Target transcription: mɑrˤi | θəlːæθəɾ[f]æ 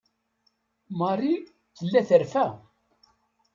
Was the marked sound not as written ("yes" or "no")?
no